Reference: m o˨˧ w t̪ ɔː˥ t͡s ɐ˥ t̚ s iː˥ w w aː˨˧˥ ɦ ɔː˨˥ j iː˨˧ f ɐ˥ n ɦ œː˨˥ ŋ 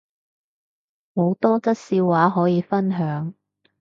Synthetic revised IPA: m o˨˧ w t̪ ɔː˥ t͡s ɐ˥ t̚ s iː˧ w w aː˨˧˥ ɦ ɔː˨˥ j iː˨˧ f ɐ˥ n ɦ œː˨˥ ŋ